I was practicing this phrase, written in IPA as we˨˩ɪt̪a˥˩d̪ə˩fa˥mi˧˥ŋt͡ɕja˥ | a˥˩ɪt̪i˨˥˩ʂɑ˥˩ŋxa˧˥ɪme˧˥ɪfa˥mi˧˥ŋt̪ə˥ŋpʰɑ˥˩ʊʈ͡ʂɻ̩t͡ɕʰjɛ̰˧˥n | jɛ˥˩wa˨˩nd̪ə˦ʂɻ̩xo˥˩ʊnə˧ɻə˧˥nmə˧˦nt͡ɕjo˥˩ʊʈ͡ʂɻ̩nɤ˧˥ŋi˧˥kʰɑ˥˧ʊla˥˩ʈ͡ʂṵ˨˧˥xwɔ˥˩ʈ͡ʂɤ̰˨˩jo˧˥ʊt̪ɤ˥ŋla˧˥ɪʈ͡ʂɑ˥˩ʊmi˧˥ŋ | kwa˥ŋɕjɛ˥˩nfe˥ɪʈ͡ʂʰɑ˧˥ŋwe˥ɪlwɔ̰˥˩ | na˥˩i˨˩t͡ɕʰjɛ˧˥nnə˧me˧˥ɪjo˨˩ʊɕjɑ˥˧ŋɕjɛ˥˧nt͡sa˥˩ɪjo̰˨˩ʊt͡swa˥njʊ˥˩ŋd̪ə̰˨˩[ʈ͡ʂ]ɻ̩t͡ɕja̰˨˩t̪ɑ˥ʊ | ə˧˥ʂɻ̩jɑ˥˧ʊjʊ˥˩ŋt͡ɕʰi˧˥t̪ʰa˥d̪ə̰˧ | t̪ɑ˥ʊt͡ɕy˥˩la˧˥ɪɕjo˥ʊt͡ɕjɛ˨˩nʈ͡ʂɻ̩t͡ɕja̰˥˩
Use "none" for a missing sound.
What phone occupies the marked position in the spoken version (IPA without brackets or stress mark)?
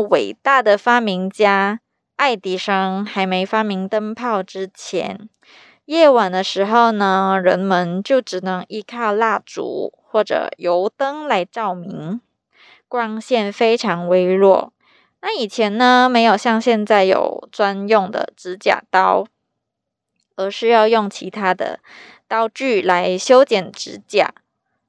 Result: ʈ͡ʂ